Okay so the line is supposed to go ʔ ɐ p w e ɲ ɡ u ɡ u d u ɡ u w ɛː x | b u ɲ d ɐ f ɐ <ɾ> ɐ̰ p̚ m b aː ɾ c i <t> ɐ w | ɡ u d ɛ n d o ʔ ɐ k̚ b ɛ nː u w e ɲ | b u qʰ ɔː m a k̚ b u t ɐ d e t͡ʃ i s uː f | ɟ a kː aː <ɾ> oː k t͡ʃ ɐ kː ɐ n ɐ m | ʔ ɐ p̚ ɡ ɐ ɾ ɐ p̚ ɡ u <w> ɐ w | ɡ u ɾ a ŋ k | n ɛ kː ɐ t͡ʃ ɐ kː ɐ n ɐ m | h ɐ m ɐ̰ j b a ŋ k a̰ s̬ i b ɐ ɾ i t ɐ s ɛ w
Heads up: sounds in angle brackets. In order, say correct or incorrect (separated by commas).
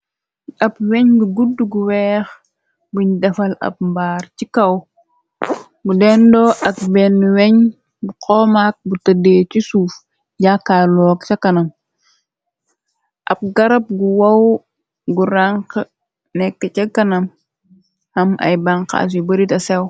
incorrect, incorrect, incorrect, correct